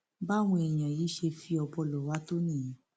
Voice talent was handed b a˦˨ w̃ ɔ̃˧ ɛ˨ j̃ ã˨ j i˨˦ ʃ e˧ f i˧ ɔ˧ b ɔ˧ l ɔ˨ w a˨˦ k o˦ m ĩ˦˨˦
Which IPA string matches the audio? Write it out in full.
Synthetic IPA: b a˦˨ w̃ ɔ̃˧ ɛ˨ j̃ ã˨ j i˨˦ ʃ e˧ f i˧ ɔ˧ b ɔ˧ l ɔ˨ w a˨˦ t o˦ n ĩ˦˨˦